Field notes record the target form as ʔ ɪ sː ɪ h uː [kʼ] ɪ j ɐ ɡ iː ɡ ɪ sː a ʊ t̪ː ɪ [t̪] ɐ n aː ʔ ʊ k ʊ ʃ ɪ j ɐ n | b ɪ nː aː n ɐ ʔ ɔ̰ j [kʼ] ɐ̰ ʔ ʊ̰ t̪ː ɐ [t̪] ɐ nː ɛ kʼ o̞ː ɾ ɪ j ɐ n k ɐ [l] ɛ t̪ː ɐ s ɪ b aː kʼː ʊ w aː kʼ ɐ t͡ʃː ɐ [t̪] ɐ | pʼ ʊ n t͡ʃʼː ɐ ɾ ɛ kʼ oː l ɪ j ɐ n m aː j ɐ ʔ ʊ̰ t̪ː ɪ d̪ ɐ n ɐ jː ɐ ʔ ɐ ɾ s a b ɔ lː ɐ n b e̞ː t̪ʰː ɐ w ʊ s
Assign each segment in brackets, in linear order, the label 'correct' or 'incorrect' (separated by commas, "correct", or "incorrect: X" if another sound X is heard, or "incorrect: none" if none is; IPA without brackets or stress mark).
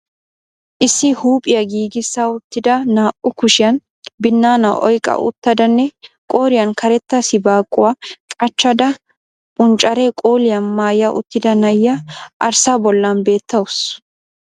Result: incorrect: pʼ, incorrect: d̪, correct, incorrect: d̪, incorrect: ɾ, incorrect: d̪